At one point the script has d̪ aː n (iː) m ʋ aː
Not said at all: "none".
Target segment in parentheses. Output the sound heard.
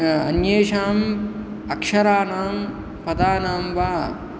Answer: aː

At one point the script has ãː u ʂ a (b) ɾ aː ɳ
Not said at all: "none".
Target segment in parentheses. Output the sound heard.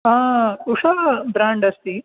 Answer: b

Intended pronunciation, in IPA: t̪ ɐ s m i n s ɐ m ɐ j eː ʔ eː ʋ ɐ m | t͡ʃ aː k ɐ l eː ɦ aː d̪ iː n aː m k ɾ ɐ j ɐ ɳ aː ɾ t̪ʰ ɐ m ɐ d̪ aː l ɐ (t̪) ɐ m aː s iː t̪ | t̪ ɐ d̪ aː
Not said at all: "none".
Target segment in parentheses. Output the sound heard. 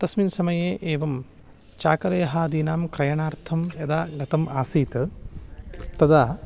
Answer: t̪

